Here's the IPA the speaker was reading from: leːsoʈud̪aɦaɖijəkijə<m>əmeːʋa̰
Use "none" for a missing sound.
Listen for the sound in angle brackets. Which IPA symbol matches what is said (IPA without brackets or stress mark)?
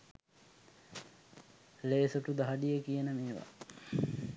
n